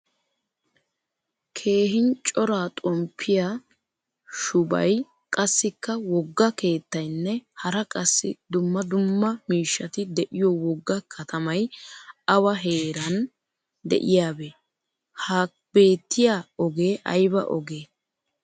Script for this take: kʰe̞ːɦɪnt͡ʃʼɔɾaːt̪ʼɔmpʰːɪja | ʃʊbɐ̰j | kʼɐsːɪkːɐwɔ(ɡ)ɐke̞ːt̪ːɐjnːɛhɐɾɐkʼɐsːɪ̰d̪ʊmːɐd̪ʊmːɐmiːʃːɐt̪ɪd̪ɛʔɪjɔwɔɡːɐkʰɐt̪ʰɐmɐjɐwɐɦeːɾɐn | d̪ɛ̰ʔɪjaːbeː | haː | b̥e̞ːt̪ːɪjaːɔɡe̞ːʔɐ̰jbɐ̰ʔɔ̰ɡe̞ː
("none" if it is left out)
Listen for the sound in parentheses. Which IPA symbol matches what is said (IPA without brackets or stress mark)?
ɡː